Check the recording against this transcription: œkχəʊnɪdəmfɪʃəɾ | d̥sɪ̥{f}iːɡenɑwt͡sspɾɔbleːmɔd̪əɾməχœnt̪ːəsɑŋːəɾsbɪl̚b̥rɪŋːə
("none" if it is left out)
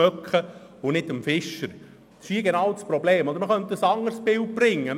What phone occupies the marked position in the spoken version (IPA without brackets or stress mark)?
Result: ʃ